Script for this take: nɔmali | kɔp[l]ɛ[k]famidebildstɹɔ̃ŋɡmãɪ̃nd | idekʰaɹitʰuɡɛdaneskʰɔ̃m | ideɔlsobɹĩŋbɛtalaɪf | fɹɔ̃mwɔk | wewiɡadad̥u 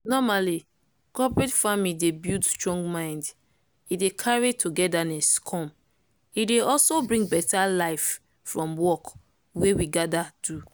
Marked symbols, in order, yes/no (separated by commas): no, no